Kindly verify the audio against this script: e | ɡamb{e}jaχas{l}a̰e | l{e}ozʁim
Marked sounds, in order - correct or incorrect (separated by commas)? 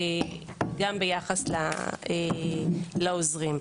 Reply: correct, correct, incorrect